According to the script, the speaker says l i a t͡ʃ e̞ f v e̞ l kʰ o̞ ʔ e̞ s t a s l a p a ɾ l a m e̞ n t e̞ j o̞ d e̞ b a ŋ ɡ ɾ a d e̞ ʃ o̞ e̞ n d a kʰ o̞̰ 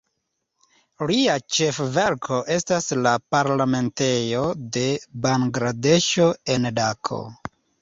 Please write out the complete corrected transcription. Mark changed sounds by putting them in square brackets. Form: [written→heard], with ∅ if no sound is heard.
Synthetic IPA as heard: l i a t͡ʃ e̞ f v e̞ [l→ɾ] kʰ o̞ ʔ e̞ s t a s l a p a ɾ l a m e̞ n t e̞ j o̞ d e̞ b a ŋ ɡ ɾ a d e̞ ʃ o̞ e̞ n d a kʰ o̞̰